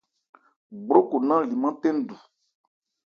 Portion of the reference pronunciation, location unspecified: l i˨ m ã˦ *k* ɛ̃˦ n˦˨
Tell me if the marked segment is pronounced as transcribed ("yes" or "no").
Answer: no